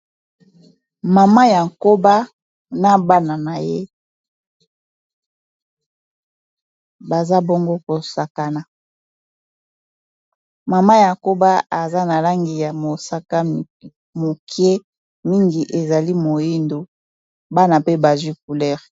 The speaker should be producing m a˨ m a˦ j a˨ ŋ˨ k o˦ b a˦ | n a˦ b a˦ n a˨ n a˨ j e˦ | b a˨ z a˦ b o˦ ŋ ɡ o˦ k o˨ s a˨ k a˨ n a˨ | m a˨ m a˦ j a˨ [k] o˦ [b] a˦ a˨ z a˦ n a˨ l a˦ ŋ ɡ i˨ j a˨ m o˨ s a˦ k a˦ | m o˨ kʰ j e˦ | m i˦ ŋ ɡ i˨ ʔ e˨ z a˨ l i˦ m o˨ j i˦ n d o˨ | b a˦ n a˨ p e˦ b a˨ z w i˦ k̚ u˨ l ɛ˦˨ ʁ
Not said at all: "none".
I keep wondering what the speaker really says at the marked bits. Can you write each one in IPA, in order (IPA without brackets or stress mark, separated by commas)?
k, b